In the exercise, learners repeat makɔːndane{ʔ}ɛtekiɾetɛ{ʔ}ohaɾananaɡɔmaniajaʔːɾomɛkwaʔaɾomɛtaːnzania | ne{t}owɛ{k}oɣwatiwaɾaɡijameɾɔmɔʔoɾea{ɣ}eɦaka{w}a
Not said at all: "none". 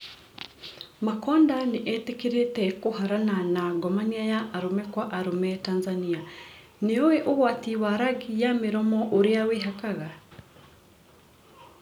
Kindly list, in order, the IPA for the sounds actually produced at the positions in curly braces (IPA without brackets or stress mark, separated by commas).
ʔ, k, none, ʔ, w, ɣ